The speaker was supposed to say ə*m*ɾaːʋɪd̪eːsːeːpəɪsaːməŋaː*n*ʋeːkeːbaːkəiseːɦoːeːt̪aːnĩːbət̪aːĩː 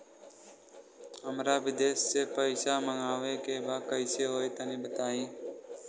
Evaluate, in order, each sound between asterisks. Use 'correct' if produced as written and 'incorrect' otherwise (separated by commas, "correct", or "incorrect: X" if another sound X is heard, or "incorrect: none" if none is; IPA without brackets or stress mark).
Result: correct, incorrect: none